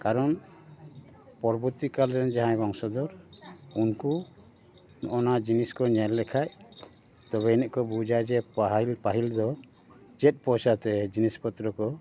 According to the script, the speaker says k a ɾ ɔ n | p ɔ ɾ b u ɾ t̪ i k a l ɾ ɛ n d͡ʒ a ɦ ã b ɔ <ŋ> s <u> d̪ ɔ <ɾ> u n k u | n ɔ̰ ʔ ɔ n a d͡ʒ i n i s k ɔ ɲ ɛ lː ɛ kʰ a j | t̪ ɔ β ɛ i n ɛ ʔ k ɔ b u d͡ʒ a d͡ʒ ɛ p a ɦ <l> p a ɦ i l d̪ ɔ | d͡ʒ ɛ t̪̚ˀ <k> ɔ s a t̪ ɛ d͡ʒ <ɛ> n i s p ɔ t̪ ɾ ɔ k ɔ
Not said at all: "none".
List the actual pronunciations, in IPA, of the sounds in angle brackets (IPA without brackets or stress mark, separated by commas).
ŋ, ɔ, ɾ, l, p, i